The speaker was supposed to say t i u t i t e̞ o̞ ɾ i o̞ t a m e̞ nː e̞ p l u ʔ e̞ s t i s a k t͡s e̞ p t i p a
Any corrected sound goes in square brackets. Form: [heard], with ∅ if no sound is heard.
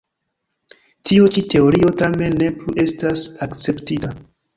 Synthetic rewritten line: t i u [t͡ʃ] i t e̞ o̞ ɾ i o̞ t a m e̞ nː e̞ p l u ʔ e̞ s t [a] s a k t͡s e̞ p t i [t] a